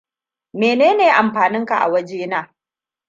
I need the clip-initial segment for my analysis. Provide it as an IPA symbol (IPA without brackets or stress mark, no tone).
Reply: m